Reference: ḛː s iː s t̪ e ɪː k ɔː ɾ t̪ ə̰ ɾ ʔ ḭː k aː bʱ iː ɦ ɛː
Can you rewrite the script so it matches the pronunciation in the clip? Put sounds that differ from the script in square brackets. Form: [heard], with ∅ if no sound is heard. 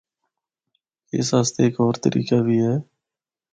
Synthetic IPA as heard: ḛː s [aː] s t̪ e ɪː k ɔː ɾ t̪ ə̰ ɾ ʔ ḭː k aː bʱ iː ɦ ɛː